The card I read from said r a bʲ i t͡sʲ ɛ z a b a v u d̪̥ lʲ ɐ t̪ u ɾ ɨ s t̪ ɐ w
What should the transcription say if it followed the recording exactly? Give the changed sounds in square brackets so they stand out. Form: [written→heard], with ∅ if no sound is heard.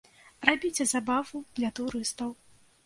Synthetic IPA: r a bʲ i t͡sʲ ɛ z a b a v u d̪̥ lʲ ɐ t̪ u ɾ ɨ s t̪ ɐ w